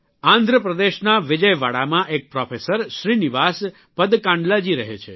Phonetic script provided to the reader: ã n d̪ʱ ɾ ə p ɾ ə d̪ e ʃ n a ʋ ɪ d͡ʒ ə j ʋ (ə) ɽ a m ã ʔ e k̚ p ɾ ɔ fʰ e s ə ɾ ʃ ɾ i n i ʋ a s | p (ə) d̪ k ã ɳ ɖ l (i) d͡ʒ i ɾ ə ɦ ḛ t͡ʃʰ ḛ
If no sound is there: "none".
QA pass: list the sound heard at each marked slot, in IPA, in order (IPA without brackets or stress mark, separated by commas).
a, ə, a